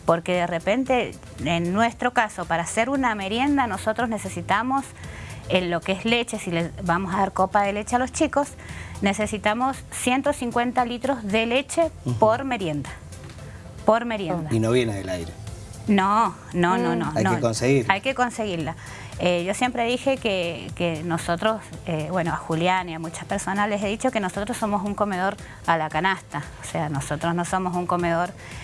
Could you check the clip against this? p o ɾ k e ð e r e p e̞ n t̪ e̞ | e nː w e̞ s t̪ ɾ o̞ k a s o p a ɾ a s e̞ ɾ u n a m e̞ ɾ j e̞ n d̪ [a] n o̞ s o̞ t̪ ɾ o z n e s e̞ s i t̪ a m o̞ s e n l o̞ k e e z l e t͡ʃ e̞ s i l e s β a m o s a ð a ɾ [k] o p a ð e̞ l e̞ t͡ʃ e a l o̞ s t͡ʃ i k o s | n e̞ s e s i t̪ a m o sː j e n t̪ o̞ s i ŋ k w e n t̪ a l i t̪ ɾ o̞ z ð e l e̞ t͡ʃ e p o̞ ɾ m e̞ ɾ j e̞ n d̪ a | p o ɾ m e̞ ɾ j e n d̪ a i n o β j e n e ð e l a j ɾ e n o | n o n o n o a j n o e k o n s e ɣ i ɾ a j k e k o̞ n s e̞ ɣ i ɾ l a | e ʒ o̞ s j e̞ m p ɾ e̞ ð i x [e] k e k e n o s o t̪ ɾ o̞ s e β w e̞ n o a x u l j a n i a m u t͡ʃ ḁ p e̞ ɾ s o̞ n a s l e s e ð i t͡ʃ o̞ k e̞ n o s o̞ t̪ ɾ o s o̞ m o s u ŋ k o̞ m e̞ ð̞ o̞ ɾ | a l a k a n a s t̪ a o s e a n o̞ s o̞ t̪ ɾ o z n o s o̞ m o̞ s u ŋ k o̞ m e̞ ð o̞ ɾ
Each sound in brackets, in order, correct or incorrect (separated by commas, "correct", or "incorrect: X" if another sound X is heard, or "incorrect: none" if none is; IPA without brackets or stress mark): correct, correct, correct